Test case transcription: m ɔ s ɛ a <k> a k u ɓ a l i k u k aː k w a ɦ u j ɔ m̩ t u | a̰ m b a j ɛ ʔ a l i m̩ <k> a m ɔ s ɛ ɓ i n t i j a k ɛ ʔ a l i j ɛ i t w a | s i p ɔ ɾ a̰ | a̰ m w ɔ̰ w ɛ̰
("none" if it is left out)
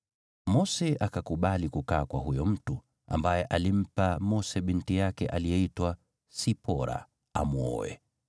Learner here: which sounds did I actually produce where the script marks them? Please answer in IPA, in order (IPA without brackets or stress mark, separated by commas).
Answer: k, p